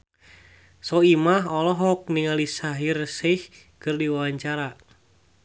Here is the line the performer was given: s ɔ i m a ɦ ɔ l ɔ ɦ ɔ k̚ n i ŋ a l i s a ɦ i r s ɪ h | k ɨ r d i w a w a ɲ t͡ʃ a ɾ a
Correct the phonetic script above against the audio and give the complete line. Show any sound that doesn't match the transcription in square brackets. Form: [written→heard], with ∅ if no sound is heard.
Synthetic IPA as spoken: s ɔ i m a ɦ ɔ l ɔ ɦ ɔ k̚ n i ŋ a l i s a ɦ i r s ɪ h | k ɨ r d i w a w a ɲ t͡ʃ a ɾ a